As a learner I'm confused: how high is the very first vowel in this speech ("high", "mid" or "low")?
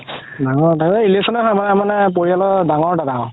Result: low